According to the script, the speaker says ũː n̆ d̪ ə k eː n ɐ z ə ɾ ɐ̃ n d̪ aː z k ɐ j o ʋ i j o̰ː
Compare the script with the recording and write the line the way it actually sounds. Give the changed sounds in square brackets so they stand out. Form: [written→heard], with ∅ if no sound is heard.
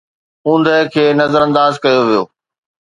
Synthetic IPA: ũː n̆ d̪ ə [k→kʰ] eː n ɐ z ə ɾ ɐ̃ n d̪ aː z k ɐ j o ʋ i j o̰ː